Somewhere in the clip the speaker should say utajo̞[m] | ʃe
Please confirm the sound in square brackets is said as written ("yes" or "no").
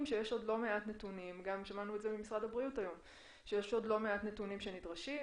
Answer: yes